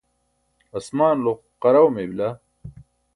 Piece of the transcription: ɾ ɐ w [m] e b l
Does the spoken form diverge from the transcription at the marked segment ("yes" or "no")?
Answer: no